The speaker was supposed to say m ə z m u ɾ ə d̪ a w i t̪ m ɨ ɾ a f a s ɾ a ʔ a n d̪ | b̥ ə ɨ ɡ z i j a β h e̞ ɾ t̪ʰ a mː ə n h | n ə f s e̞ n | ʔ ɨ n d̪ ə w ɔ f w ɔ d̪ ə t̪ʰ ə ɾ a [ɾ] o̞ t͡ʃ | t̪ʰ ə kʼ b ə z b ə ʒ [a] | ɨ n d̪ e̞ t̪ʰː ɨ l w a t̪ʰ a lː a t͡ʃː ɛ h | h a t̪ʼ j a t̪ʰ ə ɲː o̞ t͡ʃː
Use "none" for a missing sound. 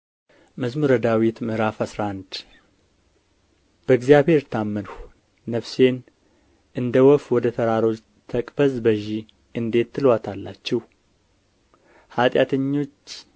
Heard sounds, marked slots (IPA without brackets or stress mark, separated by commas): ɾ, i